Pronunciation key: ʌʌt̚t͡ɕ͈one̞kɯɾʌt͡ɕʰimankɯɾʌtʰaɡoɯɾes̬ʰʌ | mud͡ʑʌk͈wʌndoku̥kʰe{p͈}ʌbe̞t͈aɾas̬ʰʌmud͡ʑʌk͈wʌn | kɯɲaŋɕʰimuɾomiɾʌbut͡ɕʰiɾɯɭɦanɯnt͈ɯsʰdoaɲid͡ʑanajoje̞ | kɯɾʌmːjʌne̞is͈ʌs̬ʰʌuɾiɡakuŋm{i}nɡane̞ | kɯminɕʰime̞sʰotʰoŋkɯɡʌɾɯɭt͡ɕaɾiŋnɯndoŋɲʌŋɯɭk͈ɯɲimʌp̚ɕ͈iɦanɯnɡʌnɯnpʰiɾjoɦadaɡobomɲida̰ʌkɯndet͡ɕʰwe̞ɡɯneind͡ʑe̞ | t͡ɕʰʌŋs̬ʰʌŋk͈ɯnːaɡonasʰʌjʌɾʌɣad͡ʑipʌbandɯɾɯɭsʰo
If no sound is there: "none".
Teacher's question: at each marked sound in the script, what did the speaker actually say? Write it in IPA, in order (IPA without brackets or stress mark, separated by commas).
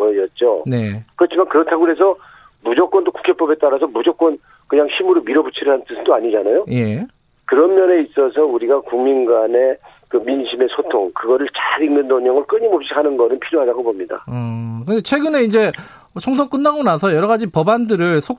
p͈, i